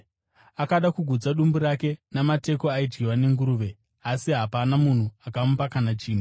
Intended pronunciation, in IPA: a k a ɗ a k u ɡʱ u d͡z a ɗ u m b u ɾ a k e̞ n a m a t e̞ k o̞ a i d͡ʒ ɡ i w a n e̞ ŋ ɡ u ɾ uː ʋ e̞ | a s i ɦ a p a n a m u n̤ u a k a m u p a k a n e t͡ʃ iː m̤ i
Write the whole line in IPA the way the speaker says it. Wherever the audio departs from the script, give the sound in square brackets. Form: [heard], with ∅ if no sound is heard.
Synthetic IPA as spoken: a k a ɗ a k u ɡʱ u d͡z a ɗ u m b u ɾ a k e̞ n a m a t e̞ k o̞ a i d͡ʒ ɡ i w a n e̞ ŋ ɡ u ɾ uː ʋ e̞ | a s i ɦ a p a n a m u n̤ u a k a m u p a k a n [a] t͡ʃ iː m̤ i